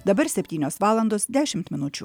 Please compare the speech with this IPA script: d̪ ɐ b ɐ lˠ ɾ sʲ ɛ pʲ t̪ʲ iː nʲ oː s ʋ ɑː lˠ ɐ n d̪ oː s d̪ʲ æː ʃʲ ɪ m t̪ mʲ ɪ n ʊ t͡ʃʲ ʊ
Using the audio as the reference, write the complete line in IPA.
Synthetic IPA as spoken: d̪ ɐ b ɐ ɾ sʲ ɛ pʲ t̪ʲ iː nʲ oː s ʋ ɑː lˠ ɐ n d̪ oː s d̪ʲ æː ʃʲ ɪ m t̪ mʲ ɪ n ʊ t͡ʃʲ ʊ